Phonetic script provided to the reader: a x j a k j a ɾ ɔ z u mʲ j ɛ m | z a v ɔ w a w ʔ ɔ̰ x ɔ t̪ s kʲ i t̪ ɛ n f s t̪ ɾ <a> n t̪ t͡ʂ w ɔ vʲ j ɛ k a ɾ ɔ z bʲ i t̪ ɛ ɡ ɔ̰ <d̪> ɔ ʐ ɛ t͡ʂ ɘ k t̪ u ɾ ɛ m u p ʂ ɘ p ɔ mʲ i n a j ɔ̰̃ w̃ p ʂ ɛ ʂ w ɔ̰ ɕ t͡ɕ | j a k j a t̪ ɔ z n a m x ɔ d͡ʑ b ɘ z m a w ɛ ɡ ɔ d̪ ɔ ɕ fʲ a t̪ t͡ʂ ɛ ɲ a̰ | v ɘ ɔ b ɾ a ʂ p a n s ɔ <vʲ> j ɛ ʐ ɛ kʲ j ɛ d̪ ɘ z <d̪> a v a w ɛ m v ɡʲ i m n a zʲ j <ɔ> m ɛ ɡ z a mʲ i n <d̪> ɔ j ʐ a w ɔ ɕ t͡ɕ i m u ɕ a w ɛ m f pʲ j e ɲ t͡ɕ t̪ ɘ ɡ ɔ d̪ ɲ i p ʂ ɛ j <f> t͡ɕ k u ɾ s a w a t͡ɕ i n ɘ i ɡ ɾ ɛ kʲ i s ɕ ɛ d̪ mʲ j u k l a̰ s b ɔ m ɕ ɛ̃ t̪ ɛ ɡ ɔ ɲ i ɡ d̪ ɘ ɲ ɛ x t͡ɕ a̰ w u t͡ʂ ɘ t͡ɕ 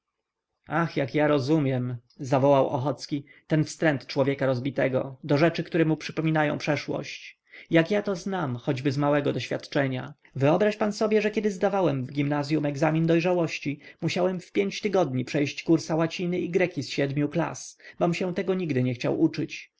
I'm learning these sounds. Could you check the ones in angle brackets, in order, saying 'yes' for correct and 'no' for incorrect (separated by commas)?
no, yes, no, yes, no, yes, no